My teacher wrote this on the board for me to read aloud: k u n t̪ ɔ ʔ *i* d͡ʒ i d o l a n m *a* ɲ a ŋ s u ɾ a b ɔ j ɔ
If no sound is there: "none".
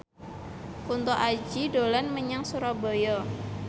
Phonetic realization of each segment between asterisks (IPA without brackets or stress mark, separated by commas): a, ə